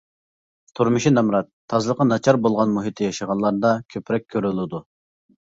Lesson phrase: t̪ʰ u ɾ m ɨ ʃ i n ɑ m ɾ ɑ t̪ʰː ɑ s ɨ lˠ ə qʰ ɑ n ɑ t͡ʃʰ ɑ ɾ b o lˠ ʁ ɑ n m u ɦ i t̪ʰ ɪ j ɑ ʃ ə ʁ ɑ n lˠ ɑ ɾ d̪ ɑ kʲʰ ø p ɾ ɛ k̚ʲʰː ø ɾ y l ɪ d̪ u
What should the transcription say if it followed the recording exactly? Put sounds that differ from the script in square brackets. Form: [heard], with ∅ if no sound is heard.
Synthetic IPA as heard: t̪ʰ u ɾ m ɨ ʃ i n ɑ m ɾ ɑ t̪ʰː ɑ [z] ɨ lˠ ə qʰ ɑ n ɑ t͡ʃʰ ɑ ɾ b o lˠ ʁ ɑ n m u ɦ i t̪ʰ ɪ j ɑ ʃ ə ʁ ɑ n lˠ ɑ ɾ d̪ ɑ kʲʰ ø p ɾ ɛ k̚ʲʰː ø ɾ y l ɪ d̪ u

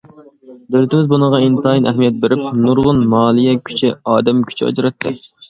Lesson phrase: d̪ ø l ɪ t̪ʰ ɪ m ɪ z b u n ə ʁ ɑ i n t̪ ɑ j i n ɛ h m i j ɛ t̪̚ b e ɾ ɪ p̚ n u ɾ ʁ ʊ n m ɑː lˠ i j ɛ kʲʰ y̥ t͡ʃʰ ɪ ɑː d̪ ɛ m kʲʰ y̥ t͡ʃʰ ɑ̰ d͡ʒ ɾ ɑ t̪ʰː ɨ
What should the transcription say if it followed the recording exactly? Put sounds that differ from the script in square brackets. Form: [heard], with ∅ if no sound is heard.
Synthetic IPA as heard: d̪ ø l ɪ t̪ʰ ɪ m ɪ z b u n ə ʁ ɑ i n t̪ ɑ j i n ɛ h m i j ɛ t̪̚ b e ɾ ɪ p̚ n u ɾ ʁ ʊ n m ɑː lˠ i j ɛ kʲʰ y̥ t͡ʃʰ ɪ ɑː d̪ ɛ m kʲʰ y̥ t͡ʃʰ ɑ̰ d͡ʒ ɾ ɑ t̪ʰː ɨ

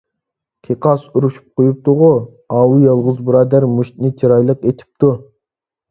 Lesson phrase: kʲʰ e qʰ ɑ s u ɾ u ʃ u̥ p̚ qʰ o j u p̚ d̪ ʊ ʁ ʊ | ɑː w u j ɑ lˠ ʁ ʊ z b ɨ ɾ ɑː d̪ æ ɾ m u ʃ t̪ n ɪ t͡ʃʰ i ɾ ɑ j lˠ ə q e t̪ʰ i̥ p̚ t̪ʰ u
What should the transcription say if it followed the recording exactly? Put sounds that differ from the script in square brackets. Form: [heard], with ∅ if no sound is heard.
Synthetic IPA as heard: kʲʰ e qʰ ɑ s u ɾ u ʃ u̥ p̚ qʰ o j u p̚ [t̪] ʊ ʁ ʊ | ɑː w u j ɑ lˠ ʁ ʊ z b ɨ ɾ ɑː d̪ æ ɾ m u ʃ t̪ n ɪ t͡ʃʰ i ɾ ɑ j lˠ ə q e t̪ʰ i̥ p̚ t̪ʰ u

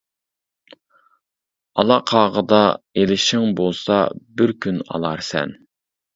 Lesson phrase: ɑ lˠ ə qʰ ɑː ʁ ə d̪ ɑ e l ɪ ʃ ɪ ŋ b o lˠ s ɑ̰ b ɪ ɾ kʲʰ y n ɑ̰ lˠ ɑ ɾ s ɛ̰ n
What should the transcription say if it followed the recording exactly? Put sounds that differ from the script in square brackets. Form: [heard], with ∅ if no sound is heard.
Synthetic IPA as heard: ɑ lˠ [ɑ] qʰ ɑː ʁ ə d̪ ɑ e l ɪ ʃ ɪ ŋ b o lˠ s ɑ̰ b ɪ ɾ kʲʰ y n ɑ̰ lˠ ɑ ɾ s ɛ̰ n

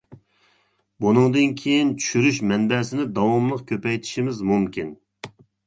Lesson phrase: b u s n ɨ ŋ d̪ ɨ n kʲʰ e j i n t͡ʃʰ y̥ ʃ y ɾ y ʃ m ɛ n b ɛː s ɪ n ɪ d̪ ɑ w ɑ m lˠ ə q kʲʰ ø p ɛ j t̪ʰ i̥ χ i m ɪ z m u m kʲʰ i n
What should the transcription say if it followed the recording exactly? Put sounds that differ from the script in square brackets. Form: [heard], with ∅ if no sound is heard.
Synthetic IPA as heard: b u [∅] n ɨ ŋ d̪ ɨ n kʲʰ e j i n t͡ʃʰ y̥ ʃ y ɾ y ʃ m ɛ n b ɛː s ɪ n ɪ d̪ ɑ w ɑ m lˠ ə q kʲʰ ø p ɛ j t̪ʰ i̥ [ʃ] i m ɪ z m u m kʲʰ i n

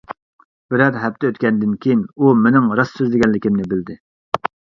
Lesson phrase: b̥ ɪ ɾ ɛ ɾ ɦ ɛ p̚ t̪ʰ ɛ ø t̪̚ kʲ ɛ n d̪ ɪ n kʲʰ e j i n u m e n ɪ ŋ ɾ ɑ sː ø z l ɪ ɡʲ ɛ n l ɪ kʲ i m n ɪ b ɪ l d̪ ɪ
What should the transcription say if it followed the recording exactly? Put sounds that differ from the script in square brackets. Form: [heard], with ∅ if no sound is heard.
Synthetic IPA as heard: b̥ ɪ ɾ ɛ ɾ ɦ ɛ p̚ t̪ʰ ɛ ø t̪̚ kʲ ɛ n d̪ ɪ n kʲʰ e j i n u m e n ɪ ŋ ɾ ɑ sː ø z l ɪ ɡʲ ɛ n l ɪ kʲ i m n ɪ b ɪ l d̪ ɪ

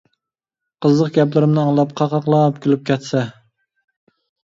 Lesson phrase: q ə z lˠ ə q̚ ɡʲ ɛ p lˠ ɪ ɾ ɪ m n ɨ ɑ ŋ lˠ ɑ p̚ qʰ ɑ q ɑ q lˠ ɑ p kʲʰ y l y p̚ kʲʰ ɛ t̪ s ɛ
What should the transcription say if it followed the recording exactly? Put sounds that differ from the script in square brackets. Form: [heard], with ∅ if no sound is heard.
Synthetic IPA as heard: q ə z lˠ ə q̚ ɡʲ ɛ p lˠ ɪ ɾ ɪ m n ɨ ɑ ŋ lˠ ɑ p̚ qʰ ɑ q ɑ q lˠ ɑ p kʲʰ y l y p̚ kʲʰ ɛ t̪ s ɛ

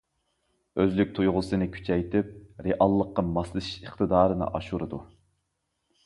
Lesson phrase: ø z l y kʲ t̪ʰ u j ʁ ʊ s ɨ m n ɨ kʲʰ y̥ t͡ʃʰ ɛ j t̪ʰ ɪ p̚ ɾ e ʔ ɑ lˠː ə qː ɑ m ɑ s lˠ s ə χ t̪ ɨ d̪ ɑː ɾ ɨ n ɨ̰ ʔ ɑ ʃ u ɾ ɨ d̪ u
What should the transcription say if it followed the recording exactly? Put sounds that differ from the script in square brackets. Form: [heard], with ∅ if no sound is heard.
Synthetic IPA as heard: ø z l y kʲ t̪ʰ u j ʁ ʊ s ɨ [∅] n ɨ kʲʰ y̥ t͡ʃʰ ɛ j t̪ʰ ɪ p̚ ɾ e ʔ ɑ lˠː ə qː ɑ m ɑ s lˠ [ʃ] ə χ t̪ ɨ d̪ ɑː ɾ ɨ n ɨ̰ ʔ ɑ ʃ u ɾ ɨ d̪ u

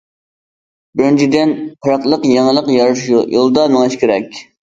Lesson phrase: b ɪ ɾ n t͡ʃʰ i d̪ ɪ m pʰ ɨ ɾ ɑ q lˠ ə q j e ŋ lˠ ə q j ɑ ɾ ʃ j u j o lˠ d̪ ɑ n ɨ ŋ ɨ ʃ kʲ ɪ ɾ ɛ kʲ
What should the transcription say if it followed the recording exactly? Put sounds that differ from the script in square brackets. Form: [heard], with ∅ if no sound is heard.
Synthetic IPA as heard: b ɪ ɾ n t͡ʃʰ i d̪ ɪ [n] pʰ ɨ ɾ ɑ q lˠ ə q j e ŋ lˠ ə q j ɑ ɾ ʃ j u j o lˠ d̪ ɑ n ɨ ŋ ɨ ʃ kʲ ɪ ɾ ɛ kʲ

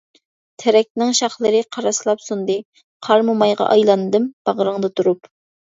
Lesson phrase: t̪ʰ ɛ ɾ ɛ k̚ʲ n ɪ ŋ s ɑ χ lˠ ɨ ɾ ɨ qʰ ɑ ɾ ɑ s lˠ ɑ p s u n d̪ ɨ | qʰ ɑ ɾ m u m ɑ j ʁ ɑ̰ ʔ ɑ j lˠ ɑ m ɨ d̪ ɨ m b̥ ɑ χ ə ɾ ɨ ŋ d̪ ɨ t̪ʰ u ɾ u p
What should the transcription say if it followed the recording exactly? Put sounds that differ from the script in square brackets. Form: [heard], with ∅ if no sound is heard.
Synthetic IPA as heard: t̪ʰ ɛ ɾ ɛ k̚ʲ n ɪ ŋ [ʃ] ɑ χ lˠ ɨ ɾ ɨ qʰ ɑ ɾ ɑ s lˠ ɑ p s u n d̪ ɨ | qʰ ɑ ɾ m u m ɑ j ʁ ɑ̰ ʔ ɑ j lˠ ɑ [n] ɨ d̪ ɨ m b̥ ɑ [ʁ] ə ɾ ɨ ŋ d̪ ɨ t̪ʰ u ɾ u p

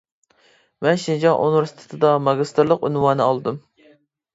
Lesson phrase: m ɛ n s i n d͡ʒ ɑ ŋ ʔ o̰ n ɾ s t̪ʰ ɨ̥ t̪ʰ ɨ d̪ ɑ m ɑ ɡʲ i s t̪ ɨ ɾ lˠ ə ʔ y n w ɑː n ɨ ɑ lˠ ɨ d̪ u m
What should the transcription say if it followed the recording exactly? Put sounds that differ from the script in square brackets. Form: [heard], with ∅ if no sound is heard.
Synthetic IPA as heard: m ɛ n [ʃ] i n d͡ʒ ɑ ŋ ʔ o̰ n ɾ s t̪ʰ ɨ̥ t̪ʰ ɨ d̪ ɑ m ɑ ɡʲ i s t̪ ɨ ɾ lˠ ə [q] y n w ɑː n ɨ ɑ lˠ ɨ d̪ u m

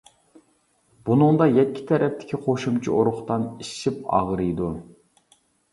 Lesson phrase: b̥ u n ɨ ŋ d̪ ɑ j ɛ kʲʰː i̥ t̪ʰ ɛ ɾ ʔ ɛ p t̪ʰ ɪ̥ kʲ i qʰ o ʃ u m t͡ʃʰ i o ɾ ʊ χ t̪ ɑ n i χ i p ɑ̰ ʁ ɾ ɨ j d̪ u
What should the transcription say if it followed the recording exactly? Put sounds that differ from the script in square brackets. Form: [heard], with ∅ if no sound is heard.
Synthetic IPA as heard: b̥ u n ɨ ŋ d̪ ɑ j ɛ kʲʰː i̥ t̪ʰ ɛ ɾ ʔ ɛ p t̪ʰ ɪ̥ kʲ i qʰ o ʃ u m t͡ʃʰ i o ɾ ʊ χ t̪ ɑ n i [ʃ] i p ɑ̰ ʁ ɾ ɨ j d̪ u

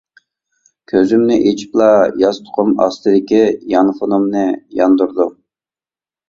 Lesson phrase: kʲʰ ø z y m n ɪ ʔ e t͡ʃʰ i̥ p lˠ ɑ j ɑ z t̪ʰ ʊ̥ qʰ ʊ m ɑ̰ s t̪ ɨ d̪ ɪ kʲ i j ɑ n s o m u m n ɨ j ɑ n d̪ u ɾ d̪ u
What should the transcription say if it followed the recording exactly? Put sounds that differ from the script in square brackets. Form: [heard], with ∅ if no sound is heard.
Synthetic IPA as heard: kʲʰ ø z y m n ɪ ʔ e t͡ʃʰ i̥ p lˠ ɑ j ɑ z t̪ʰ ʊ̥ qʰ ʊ m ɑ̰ s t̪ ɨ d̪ ɪ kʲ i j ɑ n [f] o [n] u m n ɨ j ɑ n d̪ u ɾ d̪ u

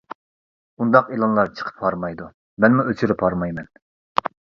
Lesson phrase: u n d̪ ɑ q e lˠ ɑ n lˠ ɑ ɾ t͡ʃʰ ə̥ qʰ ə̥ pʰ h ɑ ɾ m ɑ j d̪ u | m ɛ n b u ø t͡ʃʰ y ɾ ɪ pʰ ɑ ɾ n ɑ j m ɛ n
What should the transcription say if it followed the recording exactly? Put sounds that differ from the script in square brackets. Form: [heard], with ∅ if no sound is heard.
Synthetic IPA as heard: u n d̪ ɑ q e lˠ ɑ n lˠ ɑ ɾ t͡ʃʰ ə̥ qʰ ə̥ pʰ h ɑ ɾ m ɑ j d̪ u | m ɛ n [m] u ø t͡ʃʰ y ɾ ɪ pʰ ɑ ɾ [m] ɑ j m ɛ n

